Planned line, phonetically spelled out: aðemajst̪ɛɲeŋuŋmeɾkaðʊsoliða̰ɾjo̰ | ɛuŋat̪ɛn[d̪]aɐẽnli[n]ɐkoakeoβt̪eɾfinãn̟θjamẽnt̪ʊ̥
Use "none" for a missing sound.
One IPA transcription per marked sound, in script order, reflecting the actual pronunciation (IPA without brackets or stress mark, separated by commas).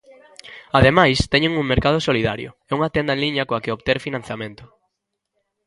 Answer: d̪, ɲ